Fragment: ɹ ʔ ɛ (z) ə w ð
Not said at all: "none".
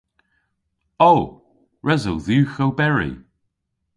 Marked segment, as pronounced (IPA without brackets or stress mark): z